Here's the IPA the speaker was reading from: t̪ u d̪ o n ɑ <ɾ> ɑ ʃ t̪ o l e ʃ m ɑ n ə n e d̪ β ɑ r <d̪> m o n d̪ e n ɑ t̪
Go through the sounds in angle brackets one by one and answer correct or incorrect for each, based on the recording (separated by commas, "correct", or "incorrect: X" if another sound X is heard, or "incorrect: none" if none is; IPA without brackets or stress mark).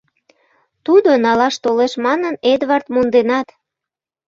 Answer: incorrect: l, incorrect: t̪